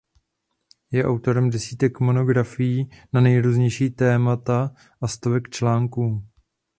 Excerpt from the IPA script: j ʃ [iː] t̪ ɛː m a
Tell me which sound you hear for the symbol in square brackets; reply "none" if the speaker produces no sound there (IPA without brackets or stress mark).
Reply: iː